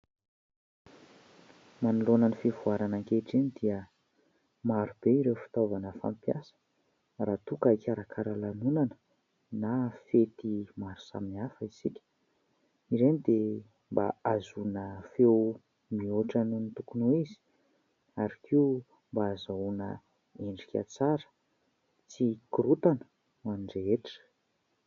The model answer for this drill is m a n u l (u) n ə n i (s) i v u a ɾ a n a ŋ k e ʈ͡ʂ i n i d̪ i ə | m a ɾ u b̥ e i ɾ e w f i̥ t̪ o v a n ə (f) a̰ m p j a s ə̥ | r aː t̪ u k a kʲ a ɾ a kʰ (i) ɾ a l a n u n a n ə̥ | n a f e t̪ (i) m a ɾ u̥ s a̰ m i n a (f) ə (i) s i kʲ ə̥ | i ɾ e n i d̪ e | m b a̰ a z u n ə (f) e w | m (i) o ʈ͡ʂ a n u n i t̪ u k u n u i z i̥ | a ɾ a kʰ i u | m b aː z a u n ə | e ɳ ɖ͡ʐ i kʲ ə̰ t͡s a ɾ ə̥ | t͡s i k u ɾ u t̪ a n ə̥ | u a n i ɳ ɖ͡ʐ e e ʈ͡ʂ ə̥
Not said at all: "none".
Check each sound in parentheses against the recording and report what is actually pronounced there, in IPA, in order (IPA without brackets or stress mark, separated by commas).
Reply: o, f, f, a, i, f, i, f, i